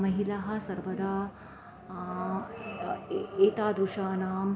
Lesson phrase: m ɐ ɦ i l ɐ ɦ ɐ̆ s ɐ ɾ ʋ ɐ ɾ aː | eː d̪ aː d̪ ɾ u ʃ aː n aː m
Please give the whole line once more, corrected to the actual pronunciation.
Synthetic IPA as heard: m ɐ ɦ i l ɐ ɦ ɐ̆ s ɐ ɾ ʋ ɐ ɾ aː | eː t̪ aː d̪ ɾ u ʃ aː n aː m